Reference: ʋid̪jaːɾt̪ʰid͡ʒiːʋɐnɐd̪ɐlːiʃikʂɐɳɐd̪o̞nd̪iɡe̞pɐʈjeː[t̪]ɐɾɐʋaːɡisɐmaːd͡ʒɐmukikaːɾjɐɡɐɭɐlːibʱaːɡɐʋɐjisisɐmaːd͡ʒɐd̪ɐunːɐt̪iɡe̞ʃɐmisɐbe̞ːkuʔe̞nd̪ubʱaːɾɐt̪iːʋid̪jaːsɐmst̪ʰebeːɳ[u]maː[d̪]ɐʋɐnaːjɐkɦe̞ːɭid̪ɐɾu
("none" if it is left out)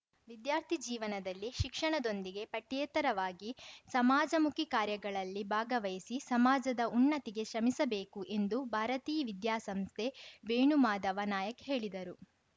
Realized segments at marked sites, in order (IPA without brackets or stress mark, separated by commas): t̪, u, d̪